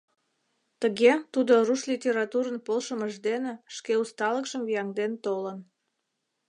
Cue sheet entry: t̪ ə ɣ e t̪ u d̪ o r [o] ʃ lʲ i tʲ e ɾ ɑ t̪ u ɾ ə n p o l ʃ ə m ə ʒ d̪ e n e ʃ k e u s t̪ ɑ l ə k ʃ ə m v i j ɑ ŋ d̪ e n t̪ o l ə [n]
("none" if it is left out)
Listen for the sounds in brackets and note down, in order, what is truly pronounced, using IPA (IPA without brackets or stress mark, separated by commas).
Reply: u, n